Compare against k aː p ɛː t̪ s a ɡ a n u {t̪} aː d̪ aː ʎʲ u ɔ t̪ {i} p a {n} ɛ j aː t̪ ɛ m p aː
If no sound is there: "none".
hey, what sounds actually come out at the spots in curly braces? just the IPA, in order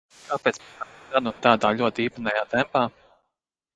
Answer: t̪, iː, n

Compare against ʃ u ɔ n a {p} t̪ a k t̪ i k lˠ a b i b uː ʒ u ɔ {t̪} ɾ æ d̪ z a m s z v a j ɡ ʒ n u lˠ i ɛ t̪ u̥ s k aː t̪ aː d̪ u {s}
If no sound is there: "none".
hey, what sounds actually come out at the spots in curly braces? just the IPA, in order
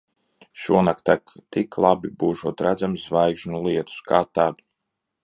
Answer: k, t̪, none

